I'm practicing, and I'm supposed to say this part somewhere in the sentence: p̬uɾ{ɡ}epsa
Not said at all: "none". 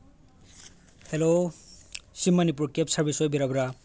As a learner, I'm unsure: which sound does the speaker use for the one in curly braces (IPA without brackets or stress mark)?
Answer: k